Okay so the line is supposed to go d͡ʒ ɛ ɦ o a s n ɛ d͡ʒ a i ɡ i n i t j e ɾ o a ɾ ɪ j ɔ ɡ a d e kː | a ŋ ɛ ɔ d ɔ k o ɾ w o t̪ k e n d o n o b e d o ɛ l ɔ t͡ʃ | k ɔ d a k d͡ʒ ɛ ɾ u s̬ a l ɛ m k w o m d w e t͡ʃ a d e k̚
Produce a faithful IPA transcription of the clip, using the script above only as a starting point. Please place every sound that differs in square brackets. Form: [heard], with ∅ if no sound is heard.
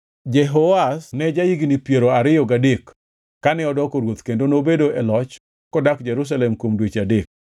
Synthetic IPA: d͡ʒ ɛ ɦ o a s n ɛ d͡ʒ a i ɡ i n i [p] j e ɾ o a ɾ ɪ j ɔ ɡ a d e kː | a [n] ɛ ɔ d ɔ k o ɾ w o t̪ k e n d o n o b e d o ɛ l ɔ t͡ʃ | k ɔ d a k d͡ʒ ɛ ɾ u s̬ a l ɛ m k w o m d w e t͡ʃ a d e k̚